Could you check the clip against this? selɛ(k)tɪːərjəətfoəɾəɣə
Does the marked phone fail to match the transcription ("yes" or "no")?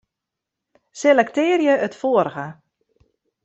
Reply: no